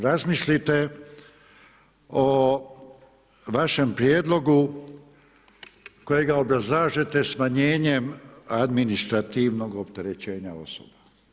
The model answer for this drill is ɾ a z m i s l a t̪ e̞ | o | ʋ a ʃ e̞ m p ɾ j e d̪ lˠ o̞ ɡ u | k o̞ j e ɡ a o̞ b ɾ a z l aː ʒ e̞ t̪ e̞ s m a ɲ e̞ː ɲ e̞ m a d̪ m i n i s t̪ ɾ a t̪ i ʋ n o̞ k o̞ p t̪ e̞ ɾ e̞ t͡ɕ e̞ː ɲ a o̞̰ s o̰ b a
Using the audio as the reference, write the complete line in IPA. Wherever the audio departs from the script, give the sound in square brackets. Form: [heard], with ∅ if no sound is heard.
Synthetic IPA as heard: ɾ a z m i s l [i] t̪ e̞ | o | ʋ a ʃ e̞ m p ɾ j e d̪ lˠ o̞ ɡ u | k o̞ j e ɡ a o̞ b ɾ a z l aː ʒ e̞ t̪ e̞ s m a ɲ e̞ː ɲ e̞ m a d̪ m i n i s t̪ ɾ a t̪ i ʋ n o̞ [ɡ] o̞ p t̪ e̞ ɾ e̞ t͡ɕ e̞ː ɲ a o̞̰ s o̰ b a